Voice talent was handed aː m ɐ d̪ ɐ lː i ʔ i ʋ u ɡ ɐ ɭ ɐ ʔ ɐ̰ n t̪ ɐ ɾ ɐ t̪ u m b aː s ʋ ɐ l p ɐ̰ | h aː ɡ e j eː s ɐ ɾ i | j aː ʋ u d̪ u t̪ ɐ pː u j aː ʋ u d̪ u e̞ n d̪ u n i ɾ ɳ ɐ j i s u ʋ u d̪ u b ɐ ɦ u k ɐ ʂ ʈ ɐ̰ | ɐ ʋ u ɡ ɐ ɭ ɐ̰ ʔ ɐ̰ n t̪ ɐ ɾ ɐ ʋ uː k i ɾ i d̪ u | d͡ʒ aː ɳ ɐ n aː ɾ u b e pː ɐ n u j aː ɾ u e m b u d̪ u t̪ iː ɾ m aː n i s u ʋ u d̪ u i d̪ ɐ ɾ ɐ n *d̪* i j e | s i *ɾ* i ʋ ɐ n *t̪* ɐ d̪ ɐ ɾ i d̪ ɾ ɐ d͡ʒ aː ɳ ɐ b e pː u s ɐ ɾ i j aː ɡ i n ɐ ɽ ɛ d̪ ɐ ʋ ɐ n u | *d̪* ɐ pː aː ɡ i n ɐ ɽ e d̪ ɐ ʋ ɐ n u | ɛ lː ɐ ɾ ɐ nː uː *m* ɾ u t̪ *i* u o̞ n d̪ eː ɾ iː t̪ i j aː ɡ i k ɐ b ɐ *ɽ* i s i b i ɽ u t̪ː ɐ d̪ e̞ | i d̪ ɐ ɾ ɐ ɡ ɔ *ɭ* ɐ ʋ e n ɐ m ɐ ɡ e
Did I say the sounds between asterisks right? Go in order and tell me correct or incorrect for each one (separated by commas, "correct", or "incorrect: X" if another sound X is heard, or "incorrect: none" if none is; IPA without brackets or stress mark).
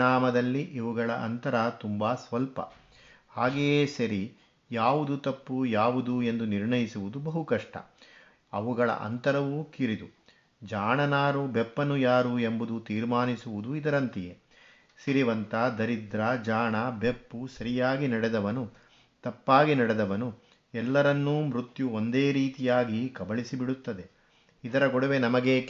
incorrect: t̪, correct, correct, incorrect: t̪, correct, incorrect: j, incorrect: ɭ, incorrect: ɽ